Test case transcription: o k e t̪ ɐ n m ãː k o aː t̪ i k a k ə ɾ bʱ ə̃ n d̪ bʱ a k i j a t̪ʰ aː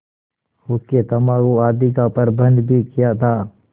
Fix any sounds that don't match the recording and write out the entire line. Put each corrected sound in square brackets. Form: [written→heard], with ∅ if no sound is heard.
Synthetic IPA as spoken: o k e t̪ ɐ [n→∅] m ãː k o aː [t̪→d̪] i k a [k→p] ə ɾ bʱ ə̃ n d̪ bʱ [a→i] k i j a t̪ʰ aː